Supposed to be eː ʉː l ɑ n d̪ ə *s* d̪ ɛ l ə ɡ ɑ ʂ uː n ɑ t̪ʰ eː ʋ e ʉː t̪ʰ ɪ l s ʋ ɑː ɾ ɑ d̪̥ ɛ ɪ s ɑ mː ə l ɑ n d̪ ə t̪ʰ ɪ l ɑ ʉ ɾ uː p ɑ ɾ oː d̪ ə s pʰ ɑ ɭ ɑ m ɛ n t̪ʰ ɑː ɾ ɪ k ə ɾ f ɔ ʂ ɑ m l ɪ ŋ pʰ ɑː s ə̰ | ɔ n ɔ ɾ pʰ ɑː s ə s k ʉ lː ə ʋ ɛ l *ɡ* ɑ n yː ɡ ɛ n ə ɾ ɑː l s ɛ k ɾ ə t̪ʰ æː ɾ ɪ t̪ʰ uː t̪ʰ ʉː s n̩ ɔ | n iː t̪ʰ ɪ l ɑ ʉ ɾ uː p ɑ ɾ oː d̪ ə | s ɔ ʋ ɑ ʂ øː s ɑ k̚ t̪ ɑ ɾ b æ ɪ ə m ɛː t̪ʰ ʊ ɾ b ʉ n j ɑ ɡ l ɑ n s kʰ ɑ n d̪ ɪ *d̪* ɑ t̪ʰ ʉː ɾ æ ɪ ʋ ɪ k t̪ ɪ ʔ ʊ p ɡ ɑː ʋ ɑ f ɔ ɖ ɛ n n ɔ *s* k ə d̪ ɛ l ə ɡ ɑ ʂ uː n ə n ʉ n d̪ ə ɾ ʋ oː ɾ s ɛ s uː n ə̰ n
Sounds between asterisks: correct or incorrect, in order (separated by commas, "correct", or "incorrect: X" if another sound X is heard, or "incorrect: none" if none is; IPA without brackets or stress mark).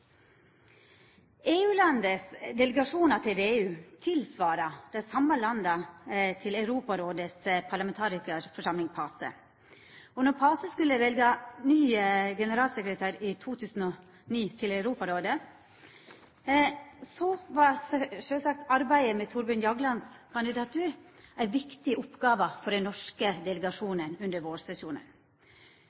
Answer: correct, correct, correct, incorrect: ʂ